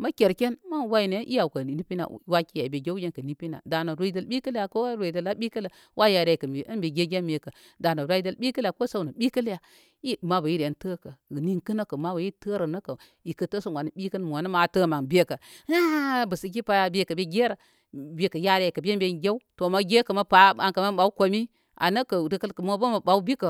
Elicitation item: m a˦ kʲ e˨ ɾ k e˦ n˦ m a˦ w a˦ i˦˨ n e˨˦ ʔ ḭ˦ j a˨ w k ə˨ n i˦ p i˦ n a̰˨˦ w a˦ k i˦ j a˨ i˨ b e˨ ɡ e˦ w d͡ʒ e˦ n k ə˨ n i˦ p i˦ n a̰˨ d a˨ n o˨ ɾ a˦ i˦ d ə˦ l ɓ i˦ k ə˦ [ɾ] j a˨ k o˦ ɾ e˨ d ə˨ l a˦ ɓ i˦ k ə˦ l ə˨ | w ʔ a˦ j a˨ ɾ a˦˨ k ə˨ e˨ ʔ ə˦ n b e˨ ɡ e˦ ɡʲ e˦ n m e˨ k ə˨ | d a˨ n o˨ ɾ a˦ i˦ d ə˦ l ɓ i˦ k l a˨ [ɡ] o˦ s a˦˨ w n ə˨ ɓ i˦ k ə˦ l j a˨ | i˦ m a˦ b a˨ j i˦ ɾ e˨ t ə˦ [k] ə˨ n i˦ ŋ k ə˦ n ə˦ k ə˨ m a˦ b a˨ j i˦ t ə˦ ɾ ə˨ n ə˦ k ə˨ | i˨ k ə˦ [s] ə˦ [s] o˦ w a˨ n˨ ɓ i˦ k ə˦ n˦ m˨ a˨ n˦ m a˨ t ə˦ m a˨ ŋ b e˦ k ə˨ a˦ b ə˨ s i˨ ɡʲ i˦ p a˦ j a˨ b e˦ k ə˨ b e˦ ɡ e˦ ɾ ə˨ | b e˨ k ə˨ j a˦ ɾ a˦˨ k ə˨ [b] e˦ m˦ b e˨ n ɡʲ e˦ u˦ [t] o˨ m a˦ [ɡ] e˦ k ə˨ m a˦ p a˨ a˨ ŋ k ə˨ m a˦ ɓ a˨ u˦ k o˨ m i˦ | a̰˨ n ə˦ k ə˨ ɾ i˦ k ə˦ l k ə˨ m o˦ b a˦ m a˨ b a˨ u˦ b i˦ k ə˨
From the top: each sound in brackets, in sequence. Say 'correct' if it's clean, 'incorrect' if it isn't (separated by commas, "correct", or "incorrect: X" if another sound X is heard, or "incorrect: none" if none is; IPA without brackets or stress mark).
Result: incorrect: l, incorrect: k, correct, incorrect: t, correct, correct, correct, correct